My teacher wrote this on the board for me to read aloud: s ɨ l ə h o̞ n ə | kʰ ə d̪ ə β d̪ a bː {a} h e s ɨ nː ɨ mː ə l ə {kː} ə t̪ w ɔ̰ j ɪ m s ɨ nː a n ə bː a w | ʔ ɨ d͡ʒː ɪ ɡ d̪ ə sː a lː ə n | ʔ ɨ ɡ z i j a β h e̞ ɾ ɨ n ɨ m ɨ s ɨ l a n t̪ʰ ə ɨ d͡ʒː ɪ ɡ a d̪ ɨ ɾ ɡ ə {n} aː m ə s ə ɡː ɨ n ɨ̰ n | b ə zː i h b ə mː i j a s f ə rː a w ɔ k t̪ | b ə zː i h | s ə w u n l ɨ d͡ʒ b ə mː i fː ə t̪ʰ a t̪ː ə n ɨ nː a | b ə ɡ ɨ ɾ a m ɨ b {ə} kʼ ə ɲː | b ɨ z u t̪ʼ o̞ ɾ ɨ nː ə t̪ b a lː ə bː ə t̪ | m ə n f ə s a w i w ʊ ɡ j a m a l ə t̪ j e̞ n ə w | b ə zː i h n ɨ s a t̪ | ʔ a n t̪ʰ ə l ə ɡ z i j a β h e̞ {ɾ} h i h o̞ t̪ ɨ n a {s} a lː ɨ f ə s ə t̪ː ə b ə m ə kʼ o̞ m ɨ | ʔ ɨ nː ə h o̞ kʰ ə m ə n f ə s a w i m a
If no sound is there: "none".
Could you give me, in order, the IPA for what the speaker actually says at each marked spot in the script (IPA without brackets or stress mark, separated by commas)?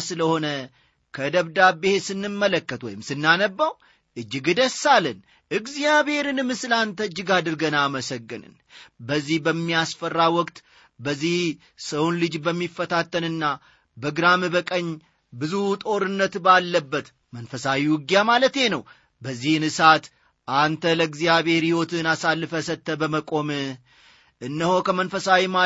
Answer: e, kː, n, ə, ɾ, s